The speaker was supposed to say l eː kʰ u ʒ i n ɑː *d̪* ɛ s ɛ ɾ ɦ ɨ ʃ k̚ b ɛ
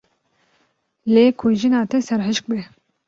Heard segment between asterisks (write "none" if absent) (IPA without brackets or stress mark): t̪